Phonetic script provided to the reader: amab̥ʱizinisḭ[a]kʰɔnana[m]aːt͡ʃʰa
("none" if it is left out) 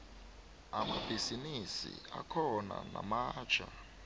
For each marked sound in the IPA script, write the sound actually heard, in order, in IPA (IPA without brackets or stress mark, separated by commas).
a, m